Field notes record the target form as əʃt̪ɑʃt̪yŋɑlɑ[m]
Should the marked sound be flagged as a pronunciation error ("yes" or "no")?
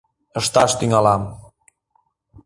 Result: no